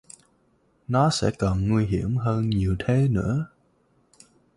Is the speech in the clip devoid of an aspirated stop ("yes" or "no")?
no